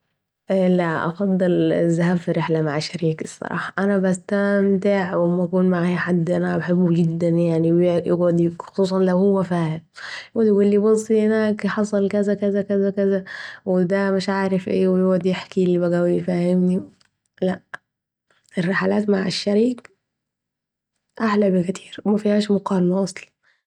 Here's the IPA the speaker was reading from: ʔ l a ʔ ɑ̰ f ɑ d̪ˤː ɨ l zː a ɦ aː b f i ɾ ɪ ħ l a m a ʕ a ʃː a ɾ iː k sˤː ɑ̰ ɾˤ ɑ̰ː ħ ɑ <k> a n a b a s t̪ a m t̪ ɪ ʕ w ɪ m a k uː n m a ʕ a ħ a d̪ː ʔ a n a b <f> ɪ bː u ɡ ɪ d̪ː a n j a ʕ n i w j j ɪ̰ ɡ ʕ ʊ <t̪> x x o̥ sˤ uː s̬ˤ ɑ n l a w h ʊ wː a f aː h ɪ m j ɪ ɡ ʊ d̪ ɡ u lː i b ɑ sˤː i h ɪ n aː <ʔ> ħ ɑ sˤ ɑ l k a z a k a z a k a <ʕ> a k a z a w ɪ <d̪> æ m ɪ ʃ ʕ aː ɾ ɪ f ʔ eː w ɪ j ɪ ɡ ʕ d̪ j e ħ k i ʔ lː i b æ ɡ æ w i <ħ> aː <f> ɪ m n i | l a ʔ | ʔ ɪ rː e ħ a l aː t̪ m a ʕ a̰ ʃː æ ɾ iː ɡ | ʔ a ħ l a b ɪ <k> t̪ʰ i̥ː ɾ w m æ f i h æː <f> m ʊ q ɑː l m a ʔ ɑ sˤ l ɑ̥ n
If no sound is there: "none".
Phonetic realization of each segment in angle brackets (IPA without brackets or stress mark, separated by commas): ʔ, ħ, d̪, k, z, d̪, f, h, k, ʃ